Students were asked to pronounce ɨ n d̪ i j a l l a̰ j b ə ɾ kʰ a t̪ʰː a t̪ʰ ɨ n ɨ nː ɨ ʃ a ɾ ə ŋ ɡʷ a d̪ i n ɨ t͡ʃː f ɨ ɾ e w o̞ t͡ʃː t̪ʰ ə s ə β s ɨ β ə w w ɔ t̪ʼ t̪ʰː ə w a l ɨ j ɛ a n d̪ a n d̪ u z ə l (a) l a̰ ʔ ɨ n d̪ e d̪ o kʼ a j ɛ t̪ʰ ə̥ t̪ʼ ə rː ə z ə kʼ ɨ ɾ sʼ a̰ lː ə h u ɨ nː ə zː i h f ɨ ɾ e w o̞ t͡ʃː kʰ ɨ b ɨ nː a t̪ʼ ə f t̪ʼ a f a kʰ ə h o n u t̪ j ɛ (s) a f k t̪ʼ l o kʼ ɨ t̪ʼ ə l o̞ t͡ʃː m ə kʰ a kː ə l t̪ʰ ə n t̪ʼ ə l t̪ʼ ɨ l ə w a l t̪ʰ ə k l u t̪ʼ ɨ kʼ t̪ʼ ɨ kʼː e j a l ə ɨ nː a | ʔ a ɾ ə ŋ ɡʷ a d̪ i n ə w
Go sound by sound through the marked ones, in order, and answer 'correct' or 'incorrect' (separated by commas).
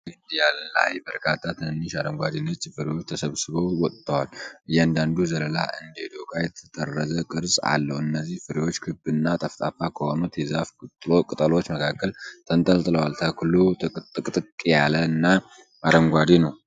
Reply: incorrect, incorrect